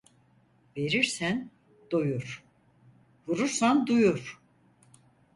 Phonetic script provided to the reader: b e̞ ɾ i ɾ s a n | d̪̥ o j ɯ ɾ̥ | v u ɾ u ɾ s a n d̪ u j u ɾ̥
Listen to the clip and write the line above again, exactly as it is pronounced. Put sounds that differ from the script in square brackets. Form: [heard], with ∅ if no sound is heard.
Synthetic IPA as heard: [v] e̞ ɾ i ɾ s [æ] n | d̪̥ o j [u] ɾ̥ | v u ɾ u ɾ s a n d̪ u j u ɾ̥